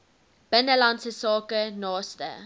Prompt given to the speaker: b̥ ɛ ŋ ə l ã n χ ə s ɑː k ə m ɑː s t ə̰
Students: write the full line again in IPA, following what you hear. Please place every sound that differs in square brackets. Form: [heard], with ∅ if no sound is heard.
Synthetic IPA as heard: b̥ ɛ [n] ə l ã n [s] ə s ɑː k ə [n] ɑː s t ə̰